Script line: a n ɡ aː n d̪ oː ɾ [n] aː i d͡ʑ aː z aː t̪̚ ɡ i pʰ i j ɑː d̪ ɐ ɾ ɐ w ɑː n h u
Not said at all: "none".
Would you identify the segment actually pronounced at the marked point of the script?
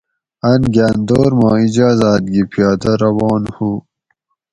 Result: m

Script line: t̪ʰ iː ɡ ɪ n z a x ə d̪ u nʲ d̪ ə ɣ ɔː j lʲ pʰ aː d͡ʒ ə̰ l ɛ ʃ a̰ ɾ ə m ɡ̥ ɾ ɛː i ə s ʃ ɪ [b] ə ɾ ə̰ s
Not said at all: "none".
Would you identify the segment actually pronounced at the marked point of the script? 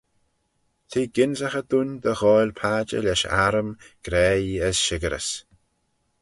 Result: ɡ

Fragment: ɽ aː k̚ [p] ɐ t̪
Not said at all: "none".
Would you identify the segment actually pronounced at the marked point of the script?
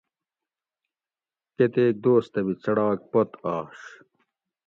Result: p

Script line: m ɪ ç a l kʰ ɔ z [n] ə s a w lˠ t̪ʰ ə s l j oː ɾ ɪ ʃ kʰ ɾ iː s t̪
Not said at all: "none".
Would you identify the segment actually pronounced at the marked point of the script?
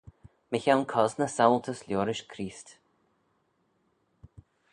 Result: n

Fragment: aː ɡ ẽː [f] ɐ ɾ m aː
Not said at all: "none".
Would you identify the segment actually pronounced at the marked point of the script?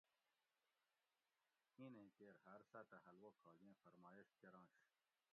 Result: f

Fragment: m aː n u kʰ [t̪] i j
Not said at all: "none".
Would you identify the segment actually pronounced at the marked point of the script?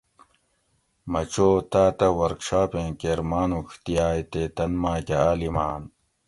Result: t̪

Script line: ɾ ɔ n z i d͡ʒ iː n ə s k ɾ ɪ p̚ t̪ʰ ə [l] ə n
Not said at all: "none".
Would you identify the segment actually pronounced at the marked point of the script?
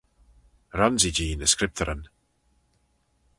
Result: ɾ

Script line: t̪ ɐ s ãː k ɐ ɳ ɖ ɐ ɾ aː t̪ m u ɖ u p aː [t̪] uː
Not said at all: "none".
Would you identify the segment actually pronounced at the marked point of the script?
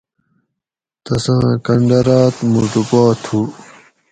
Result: t̪ʰ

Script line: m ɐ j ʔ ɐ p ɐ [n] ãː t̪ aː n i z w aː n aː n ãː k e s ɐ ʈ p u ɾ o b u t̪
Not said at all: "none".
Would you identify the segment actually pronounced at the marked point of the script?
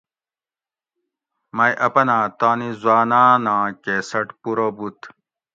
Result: n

